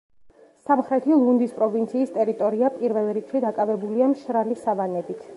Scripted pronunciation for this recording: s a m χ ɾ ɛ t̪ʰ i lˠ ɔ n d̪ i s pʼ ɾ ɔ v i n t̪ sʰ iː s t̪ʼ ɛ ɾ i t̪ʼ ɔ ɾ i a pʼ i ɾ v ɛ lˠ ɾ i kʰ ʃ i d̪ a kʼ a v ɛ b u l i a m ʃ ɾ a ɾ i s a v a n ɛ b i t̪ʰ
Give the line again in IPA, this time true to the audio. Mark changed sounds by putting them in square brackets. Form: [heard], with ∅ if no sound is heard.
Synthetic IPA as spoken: s a m χ ɾ ɛ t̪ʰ i lˠ [u] n d̪ i s pʼ ɾ ɔ v i n t̪ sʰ iː s t̪ʼ ɛ ɾ i t̪ʼ ɔ ɾ i a pʼ i ɾ v ɛ lˠ ɾ i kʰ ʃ i d̪ a kʼ a v ɛ b u l i a m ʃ ɾ a [l] i s a v a n ɛ b i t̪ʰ